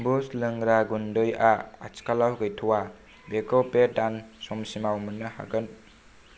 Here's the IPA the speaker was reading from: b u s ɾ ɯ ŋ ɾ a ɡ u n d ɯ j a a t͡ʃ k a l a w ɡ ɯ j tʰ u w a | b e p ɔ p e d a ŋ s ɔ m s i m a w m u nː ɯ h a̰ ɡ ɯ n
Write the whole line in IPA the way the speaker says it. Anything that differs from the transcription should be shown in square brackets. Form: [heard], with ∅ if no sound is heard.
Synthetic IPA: b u s [l] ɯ ŋ ɾ a ɡ u n d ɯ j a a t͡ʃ k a l a w ɡ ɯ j tʰ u w a | b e [k] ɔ p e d a [n] s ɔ m s i m a w m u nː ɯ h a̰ ɡ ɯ n